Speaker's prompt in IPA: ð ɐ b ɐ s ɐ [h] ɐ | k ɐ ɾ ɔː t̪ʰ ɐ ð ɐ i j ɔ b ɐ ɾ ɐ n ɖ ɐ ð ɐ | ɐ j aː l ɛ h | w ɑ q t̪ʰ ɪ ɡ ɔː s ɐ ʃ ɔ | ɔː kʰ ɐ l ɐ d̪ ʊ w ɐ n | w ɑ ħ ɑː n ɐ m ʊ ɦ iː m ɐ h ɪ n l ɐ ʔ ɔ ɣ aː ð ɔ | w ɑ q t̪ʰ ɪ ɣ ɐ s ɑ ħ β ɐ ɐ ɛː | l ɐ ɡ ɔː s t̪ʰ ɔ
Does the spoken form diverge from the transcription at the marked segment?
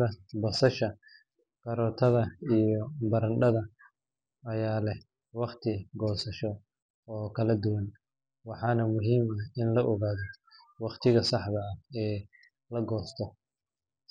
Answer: yes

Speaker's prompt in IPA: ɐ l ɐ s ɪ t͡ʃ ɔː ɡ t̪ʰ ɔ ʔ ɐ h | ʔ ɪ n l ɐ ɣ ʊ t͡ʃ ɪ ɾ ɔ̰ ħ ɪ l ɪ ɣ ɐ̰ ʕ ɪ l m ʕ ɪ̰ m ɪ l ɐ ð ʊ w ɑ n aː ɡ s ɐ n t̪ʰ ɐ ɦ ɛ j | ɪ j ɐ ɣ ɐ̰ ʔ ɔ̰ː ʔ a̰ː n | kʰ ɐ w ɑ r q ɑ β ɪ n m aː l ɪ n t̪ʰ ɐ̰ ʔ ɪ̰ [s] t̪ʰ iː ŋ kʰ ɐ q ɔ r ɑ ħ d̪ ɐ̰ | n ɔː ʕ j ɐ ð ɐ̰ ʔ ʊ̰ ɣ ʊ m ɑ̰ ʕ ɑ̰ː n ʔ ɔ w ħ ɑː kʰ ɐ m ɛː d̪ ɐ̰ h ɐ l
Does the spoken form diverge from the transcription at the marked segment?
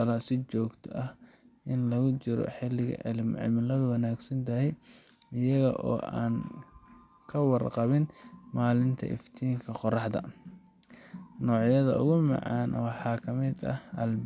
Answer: yes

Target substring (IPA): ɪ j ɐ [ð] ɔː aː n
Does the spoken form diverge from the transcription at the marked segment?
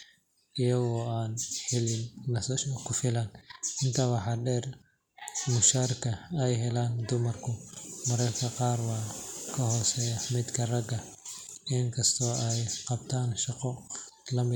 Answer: yes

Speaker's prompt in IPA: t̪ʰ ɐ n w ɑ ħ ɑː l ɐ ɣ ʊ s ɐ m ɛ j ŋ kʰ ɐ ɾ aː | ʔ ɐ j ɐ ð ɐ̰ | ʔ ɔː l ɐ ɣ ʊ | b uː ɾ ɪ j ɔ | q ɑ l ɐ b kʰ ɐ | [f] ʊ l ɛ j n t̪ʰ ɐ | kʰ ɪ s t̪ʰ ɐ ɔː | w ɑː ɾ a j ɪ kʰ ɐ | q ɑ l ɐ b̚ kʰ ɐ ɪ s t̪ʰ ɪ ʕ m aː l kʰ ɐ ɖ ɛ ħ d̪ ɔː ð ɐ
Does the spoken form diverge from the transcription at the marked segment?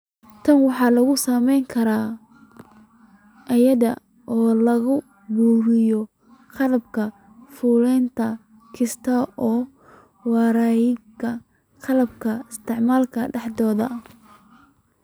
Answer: no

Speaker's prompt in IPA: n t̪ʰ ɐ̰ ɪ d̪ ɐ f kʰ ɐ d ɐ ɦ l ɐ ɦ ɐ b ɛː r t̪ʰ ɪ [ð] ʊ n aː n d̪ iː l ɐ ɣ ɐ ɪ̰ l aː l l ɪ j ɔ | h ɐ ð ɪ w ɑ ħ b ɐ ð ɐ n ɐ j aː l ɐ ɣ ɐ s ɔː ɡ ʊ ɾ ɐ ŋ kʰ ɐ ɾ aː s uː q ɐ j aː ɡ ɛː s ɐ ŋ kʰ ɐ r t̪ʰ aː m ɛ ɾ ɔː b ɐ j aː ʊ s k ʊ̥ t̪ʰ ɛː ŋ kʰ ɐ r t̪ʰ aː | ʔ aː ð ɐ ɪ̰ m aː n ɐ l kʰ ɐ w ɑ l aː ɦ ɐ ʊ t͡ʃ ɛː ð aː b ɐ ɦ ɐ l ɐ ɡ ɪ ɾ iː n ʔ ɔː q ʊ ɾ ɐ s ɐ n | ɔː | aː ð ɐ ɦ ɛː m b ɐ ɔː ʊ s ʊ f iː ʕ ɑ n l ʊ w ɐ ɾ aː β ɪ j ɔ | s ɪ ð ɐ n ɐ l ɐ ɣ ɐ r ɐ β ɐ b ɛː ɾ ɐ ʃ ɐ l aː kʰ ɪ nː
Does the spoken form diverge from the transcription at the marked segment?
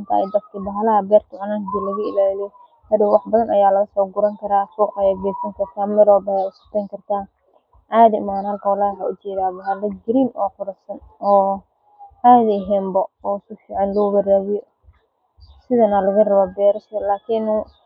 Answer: yes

